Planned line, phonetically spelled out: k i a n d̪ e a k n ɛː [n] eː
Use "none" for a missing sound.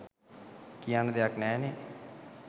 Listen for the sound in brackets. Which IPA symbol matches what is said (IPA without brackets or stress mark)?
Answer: n